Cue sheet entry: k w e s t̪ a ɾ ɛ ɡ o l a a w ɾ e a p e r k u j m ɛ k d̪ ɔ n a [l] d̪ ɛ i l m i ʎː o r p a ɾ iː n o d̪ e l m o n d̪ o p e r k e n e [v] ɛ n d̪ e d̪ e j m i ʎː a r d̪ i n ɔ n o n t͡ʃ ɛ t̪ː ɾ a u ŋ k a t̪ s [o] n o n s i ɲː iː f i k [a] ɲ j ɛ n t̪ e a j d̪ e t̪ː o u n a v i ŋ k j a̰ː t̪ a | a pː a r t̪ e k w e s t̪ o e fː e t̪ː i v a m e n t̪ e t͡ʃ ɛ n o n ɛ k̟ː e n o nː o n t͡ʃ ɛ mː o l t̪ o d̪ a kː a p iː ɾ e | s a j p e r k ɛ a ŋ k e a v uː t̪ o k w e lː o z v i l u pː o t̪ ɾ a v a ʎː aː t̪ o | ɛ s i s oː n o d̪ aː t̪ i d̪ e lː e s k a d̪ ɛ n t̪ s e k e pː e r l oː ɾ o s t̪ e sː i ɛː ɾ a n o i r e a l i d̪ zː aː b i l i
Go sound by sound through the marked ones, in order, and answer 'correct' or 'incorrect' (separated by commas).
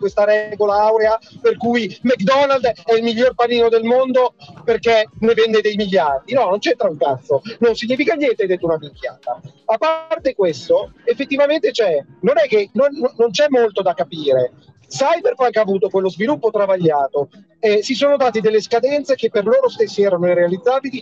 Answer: correct, correct, correct, correct